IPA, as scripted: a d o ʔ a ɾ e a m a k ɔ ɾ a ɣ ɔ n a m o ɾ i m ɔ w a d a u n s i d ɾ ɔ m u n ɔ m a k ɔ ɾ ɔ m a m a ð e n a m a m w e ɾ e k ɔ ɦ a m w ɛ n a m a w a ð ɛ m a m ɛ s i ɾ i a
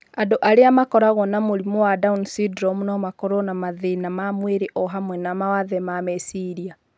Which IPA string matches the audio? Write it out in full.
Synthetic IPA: a d o ʔ a ɾ e a m a k ɔ ɾ a ɣ ɔ n a m o ɾ i m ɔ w a d a u n s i d ɾ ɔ m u n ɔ m a k ɔ ɾ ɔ n a m a ð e n a m a m w e ɾ e ʔ ɔ ɦ a m w ɛ n a m a w a ð ɛ m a m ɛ s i ɾ i a